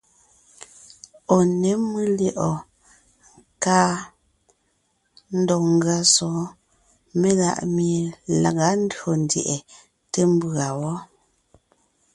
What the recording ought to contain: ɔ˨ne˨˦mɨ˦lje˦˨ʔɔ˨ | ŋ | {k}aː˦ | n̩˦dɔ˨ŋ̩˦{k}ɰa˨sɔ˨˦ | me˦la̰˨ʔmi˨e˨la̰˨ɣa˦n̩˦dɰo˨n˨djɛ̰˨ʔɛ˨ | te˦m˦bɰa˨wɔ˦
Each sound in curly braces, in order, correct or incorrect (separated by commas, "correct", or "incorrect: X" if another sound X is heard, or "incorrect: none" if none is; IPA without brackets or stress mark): correct, incorrect: ɡ